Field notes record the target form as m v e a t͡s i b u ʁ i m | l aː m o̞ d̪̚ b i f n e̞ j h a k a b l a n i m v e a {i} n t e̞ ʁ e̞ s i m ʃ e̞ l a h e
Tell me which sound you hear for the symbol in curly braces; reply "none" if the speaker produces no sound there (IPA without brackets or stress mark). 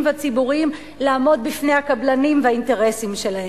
i